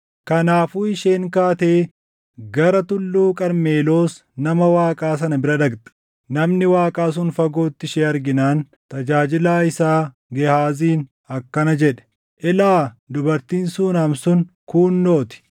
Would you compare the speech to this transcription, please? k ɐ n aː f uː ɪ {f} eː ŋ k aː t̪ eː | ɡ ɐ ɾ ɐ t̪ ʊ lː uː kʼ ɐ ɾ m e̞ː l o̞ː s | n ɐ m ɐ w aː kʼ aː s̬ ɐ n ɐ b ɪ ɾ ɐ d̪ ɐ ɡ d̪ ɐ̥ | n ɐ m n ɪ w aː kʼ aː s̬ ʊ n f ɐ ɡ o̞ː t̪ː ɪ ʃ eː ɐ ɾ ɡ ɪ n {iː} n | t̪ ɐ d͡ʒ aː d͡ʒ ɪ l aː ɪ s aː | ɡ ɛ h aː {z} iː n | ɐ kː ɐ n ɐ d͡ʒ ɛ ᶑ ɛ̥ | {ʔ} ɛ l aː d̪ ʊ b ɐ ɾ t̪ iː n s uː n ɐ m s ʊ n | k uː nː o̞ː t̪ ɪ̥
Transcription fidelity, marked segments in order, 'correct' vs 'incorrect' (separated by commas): incorrect, incorrect, correct, correct